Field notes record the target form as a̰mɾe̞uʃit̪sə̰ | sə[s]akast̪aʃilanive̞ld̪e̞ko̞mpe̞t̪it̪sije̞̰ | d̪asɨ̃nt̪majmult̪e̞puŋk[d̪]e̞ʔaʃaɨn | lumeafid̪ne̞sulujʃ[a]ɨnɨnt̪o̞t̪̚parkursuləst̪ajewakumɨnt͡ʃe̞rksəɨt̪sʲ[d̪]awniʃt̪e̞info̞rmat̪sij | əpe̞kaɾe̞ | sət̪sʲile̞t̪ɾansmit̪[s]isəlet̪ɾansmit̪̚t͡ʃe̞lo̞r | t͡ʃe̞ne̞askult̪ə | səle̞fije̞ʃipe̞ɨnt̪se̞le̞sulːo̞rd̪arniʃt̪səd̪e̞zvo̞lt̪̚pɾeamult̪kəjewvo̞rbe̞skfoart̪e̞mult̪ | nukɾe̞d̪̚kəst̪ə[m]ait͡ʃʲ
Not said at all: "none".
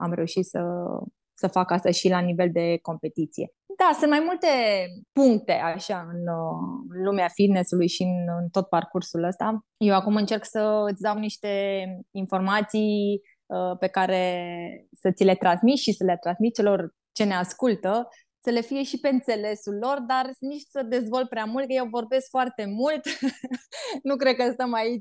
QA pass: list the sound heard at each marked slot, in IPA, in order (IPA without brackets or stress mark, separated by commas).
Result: f, t̪, i, d̪, ʃ, m